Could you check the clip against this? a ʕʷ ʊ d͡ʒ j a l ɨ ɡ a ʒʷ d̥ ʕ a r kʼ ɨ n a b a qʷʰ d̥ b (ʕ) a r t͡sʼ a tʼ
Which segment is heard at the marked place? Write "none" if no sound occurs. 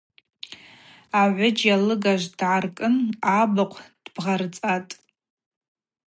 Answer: ʁ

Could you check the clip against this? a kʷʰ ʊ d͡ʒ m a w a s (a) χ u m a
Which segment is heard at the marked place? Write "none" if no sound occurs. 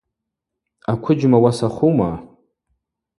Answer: a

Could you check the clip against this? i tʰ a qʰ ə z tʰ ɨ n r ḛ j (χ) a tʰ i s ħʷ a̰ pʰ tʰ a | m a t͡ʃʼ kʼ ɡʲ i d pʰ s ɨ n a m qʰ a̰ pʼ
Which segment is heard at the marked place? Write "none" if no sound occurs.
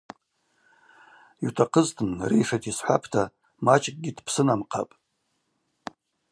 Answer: ʂ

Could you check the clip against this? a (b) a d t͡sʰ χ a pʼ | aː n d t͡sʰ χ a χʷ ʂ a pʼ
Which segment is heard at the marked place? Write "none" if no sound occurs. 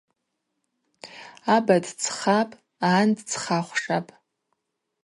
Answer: b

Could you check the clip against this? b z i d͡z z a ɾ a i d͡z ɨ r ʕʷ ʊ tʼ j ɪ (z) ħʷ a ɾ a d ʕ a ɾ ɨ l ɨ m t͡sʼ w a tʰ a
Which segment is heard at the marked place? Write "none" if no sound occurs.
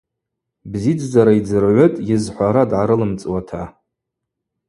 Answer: z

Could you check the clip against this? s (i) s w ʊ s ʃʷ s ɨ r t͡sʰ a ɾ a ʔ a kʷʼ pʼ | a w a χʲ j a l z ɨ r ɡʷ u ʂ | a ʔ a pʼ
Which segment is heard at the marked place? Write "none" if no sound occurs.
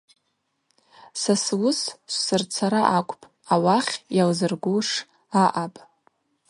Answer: a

